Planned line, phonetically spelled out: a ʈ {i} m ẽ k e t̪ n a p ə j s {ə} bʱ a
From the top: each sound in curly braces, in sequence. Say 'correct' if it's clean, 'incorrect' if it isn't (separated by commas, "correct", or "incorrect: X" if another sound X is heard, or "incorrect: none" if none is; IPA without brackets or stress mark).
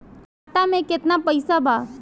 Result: incorrect: a, incorrect: a